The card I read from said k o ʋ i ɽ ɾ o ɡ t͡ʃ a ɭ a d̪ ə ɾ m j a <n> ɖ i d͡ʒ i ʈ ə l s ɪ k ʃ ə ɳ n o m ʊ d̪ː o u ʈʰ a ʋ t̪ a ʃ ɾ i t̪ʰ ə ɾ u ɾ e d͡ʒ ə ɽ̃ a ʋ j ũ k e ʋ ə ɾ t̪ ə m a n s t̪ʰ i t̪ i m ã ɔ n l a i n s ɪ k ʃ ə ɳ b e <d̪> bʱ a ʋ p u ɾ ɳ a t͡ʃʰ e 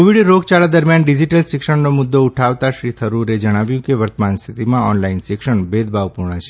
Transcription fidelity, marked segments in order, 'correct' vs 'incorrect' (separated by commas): correct, correct